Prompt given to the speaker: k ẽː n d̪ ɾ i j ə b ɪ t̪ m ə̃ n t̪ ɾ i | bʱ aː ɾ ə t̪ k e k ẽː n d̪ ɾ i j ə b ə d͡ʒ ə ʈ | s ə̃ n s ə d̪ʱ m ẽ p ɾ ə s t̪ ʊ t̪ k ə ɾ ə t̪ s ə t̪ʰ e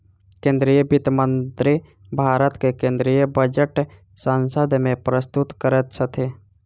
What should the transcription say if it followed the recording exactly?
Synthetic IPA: k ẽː n d̪ ɾ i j ə b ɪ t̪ m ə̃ n t̪ ɾ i | bʱ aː ɾ ə t̪ k e k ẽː n d̪ ɾ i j ə b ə d͡ʒ ə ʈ | s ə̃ n s ə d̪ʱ m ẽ p ɾ ə s t̪ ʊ t̪ k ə ɾ ə t̪ s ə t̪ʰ e

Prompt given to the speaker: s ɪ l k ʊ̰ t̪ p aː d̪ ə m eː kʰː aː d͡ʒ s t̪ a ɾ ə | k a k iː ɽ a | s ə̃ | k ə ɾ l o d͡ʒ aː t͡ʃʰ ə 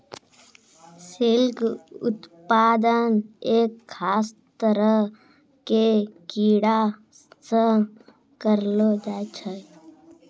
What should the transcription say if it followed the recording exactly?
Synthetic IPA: s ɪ l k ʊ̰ t̪ p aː d̪ ə n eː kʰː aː s t̪ ə ɾ ə | k e k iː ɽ a | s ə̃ | k ə ɾ l o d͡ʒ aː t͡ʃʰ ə

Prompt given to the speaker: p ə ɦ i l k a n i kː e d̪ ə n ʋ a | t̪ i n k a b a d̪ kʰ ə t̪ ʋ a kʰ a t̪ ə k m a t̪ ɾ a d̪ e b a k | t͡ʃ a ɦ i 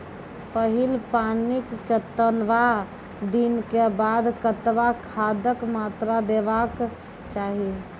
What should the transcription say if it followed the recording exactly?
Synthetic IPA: p ə ɦ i l p a n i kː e t̪ ə n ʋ a | d̪ i n k e b a d̪ k ə t̪ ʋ a kʰ a d̪ ə k m a t̪ ɾ a d̪ e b a k | t͡ʃ a ɦ i

